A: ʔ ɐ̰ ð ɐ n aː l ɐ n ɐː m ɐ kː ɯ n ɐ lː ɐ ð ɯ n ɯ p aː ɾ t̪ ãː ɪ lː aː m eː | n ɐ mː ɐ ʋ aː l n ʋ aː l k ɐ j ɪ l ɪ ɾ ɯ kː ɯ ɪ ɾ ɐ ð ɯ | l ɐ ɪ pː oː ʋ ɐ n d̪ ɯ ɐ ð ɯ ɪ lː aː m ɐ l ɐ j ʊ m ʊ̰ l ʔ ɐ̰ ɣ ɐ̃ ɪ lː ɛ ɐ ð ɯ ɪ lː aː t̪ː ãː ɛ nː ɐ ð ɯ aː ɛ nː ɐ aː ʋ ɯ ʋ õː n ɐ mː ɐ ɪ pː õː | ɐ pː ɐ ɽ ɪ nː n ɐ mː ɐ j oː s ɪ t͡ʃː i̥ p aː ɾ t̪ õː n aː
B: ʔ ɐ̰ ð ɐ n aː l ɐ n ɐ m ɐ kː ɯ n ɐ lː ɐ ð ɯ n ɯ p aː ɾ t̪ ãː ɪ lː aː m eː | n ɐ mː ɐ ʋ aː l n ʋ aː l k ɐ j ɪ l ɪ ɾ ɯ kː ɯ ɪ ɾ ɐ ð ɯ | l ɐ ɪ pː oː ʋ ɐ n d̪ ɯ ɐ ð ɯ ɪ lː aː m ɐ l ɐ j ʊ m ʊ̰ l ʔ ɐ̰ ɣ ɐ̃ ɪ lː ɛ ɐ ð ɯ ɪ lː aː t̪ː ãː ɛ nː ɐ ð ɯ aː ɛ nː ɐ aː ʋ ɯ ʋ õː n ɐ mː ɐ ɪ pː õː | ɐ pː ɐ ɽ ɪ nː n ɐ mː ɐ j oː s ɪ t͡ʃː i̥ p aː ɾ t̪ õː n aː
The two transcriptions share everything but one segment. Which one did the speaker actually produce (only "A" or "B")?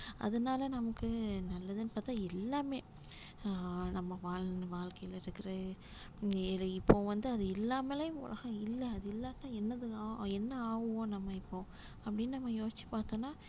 B